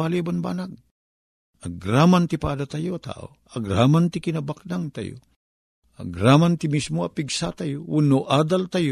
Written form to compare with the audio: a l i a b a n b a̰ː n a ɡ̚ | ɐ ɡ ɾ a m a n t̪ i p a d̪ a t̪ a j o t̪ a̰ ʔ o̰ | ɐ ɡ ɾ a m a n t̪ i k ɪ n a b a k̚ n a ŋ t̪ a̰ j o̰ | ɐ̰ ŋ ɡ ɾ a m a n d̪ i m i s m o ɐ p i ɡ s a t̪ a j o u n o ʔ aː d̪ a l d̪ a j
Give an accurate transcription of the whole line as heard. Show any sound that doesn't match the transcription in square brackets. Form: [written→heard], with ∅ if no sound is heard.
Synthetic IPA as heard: a l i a b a n b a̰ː n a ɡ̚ | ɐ ɡ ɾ a m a n t̪ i p a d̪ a t̪ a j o t̪ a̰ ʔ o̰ | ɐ ɡ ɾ a m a n t̪ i k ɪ n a b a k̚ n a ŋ t̪ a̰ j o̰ | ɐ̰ [ŋ→∅] ɡ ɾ a m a n [d̪→t̪] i m i s m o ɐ p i ɡ s a t̪ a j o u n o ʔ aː d̪ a l [d̪→t̪] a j